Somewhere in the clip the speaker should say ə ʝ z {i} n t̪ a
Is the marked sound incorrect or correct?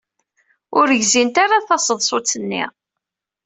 correct